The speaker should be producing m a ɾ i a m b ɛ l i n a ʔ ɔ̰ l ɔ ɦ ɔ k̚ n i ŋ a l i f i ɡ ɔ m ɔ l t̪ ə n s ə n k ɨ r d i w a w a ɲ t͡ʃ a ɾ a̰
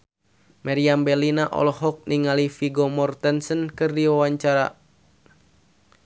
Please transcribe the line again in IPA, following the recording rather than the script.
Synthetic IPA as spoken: m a ɾ i a m b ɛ l i n a ʔ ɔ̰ l ɔ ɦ ɔ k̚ n i ŋ a l i f i ɡ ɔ m ɔ r t̪ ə n s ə n k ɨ r d i w a w a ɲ t͡ʃ a ɾ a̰